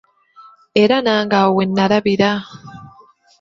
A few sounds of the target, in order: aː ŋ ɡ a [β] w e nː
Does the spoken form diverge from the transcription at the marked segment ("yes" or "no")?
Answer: yes